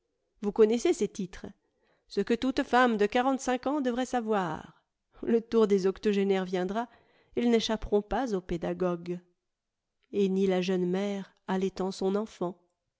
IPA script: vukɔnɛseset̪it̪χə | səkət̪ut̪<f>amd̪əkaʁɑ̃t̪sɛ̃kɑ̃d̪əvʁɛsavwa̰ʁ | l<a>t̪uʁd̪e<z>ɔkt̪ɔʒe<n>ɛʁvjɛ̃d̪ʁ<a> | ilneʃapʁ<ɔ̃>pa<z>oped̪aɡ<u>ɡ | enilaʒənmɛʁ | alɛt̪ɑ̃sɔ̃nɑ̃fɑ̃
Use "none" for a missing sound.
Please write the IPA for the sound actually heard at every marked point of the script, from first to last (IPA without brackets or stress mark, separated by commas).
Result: f, ə, z, n, a, ɔ̃, z, ɔ